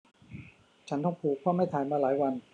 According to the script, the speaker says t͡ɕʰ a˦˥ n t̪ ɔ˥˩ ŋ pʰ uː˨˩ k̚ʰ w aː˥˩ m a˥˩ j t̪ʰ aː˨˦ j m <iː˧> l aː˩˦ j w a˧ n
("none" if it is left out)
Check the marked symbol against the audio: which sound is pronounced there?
aː˧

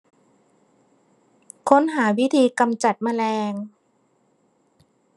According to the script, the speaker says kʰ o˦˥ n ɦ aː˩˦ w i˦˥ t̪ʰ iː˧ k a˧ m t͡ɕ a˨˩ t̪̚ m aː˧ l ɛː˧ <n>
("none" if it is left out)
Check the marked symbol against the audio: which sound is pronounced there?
ŋ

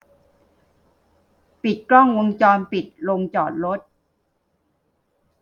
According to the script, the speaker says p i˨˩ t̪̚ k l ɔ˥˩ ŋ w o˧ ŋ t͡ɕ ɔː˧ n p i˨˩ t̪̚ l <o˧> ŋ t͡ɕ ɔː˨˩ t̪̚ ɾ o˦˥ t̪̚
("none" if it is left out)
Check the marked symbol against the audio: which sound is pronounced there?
o˧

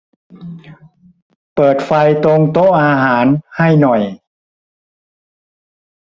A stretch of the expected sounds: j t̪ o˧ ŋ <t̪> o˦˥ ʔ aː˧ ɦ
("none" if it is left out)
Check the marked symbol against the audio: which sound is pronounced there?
t̪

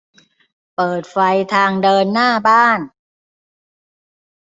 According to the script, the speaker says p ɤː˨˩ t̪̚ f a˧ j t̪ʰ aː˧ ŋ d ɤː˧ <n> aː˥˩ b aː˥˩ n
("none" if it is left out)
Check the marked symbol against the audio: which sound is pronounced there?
nː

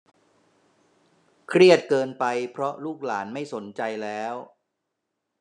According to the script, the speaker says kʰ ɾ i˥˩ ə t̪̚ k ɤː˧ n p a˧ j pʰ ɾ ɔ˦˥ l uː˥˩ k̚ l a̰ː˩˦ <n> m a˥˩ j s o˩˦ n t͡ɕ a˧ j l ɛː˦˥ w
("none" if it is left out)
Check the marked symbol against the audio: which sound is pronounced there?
n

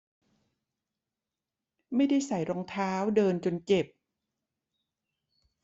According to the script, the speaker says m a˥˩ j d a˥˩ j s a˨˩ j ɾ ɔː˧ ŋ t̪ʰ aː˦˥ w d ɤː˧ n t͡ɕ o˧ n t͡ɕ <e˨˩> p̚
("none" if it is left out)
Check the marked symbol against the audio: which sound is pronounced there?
e˨˩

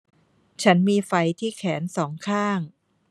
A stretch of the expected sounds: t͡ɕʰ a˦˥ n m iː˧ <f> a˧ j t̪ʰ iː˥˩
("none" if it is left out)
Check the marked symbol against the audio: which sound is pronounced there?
f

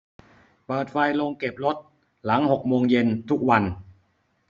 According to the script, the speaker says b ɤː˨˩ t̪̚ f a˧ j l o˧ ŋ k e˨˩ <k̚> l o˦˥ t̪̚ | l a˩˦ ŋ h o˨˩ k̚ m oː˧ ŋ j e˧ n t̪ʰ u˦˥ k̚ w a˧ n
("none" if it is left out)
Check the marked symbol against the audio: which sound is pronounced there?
p̚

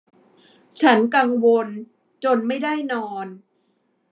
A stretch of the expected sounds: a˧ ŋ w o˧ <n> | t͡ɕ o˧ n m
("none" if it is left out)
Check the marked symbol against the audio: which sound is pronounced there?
n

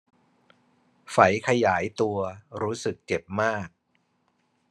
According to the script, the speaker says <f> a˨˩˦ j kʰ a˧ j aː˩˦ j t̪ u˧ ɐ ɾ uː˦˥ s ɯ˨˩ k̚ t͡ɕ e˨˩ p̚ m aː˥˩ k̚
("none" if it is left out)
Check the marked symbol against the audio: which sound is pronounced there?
f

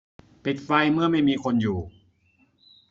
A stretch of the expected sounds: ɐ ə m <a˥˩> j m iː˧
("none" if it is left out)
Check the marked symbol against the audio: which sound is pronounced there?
a˥˩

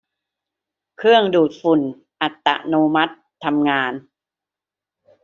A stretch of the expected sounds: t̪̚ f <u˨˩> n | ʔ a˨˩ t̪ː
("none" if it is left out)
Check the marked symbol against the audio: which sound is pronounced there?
u˨˩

